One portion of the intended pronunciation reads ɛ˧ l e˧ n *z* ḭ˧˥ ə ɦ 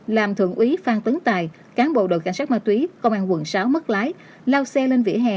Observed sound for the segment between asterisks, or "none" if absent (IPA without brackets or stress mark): v